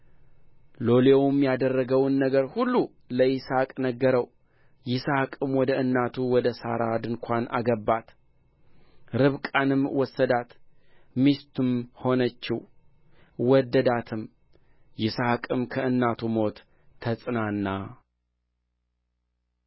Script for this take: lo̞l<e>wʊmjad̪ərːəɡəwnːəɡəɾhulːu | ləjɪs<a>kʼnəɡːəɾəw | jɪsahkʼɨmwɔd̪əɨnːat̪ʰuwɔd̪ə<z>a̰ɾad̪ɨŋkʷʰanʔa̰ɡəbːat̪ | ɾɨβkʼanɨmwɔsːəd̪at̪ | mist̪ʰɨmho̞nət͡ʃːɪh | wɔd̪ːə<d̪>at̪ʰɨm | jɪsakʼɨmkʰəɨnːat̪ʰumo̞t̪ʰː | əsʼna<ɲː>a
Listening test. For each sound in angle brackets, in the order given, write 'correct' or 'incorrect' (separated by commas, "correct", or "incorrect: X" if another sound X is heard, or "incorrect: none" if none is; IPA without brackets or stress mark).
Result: correct, correct, incorrect: s, correct, incorrect: nː